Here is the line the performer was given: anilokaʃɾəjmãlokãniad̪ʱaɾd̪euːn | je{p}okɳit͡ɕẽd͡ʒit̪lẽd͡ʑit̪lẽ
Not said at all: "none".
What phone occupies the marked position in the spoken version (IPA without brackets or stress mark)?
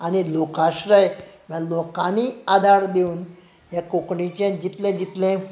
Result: k